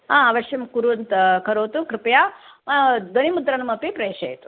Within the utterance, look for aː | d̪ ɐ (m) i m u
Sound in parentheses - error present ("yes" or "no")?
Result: yes